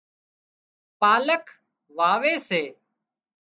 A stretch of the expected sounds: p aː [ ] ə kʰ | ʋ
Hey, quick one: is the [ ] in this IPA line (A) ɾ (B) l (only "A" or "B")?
B